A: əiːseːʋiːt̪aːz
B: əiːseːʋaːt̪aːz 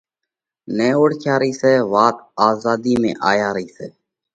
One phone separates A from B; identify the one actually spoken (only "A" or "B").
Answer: B